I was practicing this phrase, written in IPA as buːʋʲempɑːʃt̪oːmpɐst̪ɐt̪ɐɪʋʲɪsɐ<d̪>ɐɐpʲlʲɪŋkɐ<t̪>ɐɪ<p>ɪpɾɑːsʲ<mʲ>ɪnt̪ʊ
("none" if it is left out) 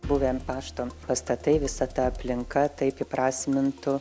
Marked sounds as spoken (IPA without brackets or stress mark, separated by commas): t̪, t̪, p, mʲ